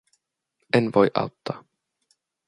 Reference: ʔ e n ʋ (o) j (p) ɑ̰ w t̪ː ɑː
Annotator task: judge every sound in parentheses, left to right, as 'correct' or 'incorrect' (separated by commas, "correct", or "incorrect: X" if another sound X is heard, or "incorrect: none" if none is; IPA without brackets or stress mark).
correct, incorrect: ʔ